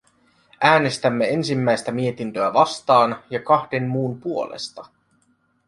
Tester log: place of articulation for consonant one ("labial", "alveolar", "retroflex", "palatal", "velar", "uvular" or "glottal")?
alveolar